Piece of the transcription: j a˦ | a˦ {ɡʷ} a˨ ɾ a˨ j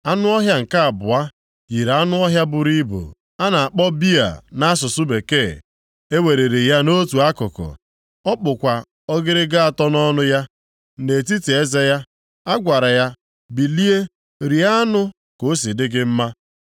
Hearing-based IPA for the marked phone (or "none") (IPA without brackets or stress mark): ɡʷ